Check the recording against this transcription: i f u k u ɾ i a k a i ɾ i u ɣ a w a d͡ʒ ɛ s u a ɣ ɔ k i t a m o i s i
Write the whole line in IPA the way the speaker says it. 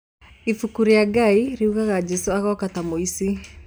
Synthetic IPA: i f u k u ɾ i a ɡ a i ɾ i u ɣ a ɣ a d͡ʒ ɛ s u a ɣ ɔ k a t a m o i s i

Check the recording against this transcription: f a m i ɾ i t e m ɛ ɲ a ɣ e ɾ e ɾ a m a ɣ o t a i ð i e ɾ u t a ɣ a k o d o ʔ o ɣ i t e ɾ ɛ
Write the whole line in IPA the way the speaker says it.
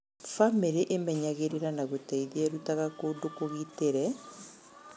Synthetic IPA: f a m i ɾ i ʔ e m ɛ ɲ a ɣ e ɾ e ɾ a n a ɣ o t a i ð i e ɾ u t a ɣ a k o d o k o ɣ i t e ɾ ɛ

